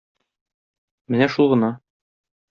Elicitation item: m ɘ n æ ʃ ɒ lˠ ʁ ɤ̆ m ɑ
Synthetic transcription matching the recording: m ɘ n æ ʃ u lˠ ʁ ɤ̆ n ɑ